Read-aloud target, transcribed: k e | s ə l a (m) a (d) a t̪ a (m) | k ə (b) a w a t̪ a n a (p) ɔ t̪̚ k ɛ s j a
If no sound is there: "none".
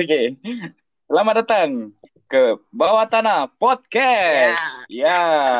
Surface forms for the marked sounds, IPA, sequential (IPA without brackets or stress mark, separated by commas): m, d, ŋ, b, p